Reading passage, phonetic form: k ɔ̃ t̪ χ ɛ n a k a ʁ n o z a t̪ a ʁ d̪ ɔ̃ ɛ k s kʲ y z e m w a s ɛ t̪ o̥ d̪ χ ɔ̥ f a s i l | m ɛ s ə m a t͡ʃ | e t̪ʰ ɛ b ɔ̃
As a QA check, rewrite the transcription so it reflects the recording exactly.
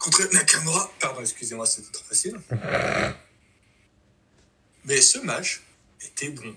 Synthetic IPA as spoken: k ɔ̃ t̪ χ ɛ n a k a ʁ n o ʁ a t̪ a ʁ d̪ ɔ̃ ɛ k s kʲ y z e m w a s ɛ t̪ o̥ t̪ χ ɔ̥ f a s i l | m ɛ s ə m a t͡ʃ | e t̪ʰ ɛ b ɔ̃